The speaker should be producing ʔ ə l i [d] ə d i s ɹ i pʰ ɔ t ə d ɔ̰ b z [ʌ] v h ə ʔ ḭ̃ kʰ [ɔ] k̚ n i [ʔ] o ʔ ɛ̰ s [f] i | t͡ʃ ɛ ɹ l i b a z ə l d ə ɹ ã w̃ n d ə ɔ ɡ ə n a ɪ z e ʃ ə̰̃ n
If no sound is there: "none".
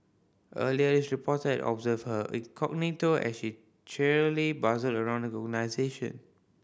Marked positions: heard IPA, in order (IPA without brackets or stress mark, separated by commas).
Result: none, ə, ɔ, t, ʃ